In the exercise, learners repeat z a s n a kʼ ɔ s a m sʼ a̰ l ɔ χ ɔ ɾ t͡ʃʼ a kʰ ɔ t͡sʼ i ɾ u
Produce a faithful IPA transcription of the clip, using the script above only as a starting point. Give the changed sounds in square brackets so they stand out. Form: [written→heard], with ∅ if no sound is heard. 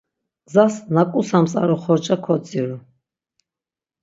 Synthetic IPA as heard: z a s n a kʼ [ɔ→u] s a m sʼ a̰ [l→ɾ] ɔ χ ɔ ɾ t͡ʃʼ a kʰ ɔ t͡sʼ i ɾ u